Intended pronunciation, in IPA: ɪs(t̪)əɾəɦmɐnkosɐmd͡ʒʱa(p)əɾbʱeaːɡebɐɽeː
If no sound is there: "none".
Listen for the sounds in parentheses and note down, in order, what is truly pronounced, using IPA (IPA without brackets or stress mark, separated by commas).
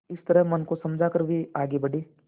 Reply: t̪, k